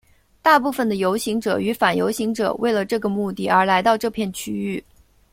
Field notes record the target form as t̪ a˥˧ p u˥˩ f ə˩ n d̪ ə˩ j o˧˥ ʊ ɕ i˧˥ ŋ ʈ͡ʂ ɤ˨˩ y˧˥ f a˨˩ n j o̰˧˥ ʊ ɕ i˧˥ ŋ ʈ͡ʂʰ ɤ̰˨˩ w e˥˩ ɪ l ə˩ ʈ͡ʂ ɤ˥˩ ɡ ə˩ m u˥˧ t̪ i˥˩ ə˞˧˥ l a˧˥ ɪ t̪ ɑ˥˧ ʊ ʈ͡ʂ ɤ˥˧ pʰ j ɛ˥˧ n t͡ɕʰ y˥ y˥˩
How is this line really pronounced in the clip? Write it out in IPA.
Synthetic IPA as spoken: t̪ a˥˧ p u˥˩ f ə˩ n d̪ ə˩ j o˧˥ ʊ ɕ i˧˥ ŋ ʈ͡ʂ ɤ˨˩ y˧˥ f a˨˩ n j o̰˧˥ ʊ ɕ i˧˥ ŋ ʈ͡ʂ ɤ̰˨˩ w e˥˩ ɪ l ə˩ ʈ͡ʂ ɤ˥˩ ɡ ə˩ m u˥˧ t̪ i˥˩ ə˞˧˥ l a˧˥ ɪ t̪ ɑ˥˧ ʊ ʈ͡ʂ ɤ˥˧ pʰ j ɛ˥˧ n t͡ɕʰ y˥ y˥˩

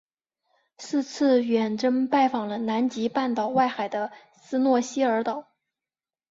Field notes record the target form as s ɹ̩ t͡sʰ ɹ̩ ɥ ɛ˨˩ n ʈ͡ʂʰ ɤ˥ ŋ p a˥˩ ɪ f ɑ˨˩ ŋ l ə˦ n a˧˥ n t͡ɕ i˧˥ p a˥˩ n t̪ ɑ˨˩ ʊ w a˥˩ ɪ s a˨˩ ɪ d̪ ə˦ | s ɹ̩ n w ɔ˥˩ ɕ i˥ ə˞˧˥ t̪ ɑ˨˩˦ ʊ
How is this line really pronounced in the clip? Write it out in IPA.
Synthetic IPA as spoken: s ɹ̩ t͡sʰ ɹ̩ ɥ ɛ˨˩ n ʈ͡ʂ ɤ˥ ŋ p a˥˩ ɪ f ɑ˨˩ ŋ l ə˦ n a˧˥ n t͡ɕ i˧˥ p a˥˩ n t̪ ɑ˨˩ ʊ w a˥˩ ɪ x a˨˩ ɪ d̪ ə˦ | s ɹ̩ n w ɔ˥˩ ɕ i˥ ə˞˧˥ t̪ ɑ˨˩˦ ʊ

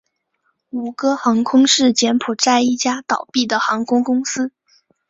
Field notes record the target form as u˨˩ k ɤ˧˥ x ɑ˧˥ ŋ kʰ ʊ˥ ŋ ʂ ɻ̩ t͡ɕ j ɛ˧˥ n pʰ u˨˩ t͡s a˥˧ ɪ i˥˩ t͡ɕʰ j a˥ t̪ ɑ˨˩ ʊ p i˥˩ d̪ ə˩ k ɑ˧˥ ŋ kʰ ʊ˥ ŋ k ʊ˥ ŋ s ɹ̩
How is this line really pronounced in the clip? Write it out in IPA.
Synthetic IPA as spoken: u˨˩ k ɤ˥ x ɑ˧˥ ŋ kʰ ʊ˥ ŋ ʂ ɻ̩ t͡ɕ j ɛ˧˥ n pʰ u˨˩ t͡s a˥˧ ɪ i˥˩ t͡ɕ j a˥ t̪ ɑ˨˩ ʊ p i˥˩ d̪ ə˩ x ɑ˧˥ ŋ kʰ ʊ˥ ŋ k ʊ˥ ŋ s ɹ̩

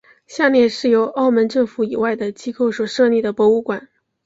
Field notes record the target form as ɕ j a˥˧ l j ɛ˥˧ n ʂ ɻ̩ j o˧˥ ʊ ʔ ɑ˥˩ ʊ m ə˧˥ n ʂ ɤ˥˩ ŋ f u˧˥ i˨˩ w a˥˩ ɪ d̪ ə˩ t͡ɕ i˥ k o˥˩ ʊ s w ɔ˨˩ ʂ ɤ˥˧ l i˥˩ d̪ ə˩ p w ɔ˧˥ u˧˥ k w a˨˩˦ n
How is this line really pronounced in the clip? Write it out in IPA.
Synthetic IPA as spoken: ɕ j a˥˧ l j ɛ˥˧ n ʂ ɻ̩ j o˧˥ ʊ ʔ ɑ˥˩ ʊ m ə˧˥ n ʈ͡ʂ ɤ˥˩ ŋ f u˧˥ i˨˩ w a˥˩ ɪ d̪ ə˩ t͡ɕ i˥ k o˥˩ ʊ s w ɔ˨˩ ʂ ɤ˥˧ l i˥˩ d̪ ə˩ p w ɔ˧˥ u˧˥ k w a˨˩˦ n

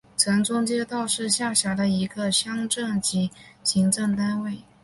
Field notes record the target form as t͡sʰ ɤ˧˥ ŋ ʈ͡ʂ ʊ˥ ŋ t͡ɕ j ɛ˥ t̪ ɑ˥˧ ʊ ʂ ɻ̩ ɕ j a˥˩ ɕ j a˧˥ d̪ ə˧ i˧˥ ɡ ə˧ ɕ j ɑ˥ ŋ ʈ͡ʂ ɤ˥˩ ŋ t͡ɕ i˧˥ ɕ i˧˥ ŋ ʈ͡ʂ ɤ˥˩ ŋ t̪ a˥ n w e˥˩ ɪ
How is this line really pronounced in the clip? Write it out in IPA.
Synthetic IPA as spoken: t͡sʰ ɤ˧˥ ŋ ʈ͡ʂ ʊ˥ ŋ t͡ɕ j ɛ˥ t̪ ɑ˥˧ ʊ ʂ ɻ̩ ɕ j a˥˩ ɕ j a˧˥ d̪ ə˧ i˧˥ ɡ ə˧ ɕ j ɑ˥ ŋ ʈ͡ʂ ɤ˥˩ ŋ t͡ɕ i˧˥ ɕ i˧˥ ŋ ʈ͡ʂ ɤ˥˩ ŋ t̪ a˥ n w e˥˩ ɪ

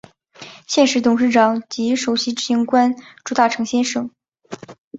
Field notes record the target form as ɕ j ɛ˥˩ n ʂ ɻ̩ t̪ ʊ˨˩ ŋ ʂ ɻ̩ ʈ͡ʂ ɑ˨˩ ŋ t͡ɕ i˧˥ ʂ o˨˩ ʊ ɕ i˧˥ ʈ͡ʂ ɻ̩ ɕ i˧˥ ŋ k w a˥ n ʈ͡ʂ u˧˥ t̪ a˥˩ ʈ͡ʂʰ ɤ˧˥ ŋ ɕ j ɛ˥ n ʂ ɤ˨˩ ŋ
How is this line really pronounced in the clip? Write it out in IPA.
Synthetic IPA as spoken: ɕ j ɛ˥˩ n ʂ ɻ̩ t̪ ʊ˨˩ ŋ ʂ ɻ̩ ʈ͡ʂ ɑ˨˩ ŋ t͡ɕ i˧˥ ʂ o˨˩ ʊ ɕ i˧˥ ʈ͡ʂ ɻ̩ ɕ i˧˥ ŋ k w a˥ n ʈ͡ʂ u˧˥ t̪ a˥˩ ʈ͡ʂʰ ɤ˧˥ ŋ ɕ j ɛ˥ n ʂ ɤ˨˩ ŋ

